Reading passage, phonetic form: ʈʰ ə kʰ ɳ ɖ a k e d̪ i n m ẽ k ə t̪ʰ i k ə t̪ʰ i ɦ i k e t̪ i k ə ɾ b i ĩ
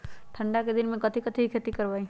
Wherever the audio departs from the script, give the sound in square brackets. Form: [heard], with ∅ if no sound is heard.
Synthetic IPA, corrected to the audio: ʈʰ ə [∅] ɳ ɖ a k e d̪ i n m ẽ k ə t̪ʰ i k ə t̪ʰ i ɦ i [kʰ] e t̪ i k ə ɾ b [a] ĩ